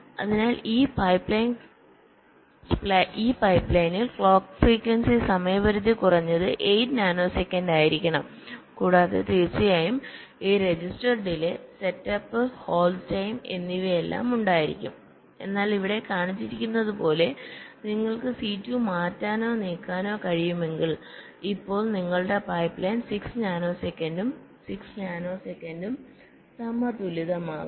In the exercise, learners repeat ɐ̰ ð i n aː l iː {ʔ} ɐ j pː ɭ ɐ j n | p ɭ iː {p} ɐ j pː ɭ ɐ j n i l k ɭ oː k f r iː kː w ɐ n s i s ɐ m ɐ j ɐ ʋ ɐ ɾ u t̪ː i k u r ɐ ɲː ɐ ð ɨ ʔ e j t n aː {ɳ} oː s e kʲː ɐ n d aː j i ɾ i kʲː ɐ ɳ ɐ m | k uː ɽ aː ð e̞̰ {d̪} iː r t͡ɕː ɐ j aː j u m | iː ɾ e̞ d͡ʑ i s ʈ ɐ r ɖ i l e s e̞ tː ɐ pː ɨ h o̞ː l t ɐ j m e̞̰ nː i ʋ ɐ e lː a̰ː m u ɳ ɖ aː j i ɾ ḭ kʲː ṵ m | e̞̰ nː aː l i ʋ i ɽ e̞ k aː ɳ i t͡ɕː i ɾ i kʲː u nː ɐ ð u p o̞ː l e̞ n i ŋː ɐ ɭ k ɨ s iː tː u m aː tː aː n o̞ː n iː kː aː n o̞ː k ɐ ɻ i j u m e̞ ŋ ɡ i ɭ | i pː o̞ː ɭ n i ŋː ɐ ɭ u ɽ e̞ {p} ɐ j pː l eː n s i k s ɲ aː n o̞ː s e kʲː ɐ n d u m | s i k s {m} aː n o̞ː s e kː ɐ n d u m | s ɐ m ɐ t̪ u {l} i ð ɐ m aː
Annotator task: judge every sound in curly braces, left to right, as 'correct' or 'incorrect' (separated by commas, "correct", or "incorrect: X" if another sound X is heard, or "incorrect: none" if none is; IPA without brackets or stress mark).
incorrect: p, correct, incorrect: n, incorrect: t̪, correct, incorrect: ɲ, correct